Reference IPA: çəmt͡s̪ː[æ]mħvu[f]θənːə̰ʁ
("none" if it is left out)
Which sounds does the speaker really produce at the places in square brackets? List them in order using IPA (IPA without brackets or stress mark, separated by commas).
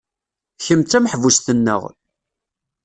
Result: æ, s